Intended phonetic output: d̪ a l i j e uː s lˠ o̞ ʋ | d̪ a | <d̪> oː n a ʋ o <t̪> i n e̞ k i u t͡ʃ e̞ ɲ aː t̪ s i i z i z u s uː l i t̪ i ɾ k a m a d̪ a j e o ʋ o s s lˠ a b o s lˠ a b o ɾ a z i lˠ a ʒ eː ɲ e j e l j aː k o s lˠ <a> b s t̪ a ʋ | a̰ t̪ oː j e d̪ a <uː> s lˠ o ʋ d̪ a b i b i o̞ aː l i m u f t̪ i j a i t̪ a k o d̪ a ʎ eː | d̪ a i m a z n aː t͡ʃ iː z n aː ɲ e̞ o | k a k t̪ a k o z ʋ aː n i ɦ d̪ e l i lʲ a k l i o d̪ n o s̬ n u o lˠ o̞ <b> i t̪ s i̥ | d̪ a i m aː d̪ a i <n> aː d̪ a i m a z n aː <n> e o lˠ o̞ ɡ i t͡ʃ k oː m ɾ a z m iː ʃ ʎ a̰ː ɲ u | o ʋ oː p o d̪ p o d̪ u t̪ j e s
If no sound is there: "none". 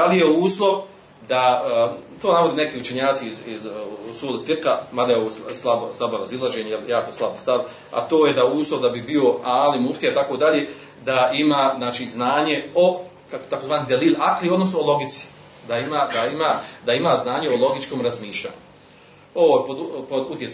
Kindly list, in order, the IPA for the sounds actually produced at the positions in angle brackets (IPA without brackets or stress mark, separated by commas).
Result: t̪, d̪, a, uː, ɡ, m, ɲ